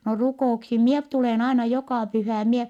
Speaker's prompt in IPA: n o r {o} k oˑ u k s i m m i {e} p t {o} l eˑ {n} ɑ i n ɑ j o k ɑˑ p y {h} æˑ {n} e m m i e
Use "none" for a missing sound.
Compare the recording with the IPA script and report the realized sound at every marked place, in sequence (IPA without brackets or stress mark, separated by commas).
u, e, u, n, h, none